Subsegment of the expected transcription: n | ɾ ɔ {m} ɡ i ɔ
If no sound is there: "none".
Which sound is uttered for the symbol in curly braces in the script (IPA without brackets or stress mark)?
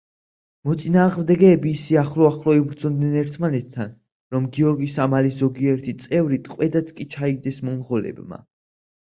m